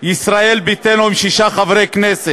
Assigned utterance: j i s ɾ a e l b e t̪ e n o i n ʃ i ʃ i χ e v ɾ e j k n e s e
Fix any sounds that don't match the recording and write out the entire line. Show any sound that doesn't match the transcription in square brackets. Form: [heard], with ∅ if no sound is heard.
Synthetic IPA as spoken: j i s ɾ a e l b [i] t̪ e n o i [m] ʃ i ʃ [a] χ [a] v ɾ e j k n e s e